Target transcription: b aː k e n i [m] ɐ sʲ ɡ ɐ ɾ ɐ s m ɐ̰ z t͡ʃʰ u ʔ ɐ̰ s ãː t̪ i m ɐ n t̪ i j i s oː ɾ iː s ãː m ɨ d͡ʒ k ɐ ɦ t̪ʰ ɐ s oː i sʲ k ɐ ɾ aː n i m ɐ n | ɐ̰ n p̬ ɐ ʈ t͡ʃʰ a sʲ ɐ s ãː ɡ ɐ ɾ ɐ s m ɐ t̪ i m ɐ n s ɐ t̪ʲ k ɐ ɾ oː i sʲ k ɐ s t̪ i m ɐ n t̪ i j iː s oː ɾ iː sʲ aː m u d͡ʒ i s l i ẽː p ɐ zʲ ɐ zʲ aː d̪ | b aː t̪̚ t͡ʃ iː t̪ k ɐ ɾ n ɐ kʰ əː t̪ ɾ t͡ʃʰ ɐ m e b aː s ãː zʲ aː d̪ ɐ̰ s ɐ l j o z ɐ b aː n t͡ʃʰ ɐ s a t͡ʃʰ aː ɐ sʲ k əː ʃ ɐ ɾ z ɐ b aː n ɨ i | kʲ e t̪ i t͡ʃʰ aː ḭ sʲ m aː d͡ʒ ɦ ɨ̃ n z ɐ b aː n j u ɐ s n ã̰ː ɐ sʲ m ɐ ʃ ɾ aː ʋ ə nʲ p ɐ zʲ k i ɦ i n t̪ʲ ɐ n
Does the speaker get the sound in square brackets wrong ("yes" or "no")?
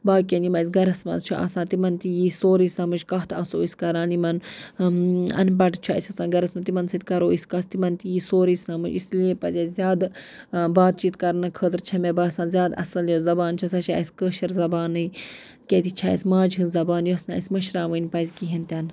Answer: no